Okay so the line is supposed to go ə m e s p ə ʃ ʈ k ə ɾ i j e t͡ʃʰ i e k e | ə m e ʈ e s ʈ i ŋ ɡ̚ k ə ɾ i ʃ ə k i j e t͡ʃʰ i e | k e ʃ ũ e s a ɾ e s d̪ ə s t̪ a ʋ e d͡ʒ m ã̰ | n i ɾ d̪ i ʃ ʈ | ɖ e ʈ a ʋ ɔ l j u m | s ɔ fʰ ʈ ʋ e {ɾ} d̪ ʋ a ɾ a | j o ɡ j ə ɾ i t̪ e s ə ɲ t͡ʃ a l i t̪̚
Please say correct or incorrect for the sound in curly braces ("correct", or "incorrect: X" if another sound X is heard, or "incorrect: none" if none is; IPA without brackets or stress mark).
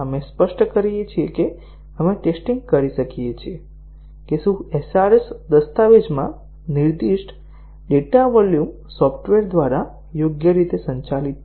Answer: correct